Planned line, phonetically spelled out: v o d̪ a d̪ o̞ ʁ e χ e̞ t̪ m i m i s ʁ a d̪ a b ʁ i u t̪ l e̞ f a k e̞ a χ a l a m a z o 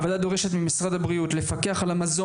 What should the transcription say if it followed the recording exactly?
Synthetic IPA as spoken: v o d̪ a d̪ o̞ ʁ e ʃ e̞ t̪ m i m i s ʁ a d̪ a b ʁ i u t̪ l e̞ f a k e̞ a χ a l a m a z o